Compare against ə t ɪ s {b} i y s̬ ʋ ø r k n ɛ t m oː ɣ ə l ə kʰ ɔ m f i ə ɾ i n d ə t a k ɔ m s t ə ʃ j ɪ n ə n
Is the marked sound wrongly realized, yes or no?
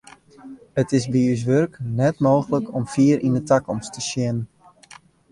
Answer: no